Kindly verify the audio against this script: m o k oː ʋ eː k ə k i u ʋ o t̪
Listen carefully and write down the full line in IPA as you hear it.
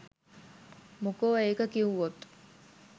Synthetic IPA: m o k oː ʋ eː k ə k i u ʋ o t̪